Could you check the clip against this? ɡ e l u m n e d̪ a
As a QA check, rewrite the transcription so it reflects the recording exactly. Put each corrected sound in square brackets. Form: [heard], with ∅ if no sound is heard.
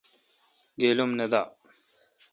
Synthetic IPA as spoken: ɡ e l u m n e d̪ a